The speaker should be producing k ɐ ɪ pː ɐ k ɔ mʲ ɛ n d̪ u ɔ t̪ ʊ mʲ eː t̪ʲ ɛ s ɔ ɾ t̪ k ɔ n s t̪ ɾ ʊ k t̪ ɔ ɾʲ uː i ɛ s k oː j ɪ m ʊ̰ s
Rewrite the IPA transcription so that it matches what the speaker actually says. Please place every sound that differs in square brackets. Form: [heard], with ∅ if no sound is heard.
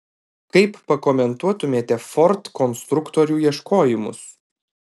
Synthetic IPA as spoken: k ɐ ɪ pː ɐ k ɔ mʲ ɛ n [t̪] u ɔ t̪ ʊ mʲ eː t̪ʲ ɛ [f] ɔ ɾ t̪ k ɔ n s t̪ ɾ ʊ k t̪ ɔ ɾʲ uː i ɛ [ʃ] k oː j ɪ m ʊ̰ s